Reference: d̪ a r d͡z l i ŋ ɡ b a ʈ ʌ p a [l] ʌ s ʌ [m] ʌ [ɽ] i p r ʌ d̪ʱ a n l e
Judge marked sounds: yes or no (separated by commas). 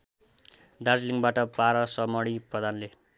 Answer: no, yes, yes